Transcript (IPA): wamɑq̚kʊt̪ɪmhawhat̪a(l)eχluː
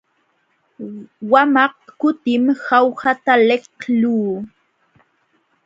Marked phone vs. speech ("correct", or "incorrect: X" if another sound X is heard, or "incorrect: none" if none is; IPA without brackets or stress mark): correct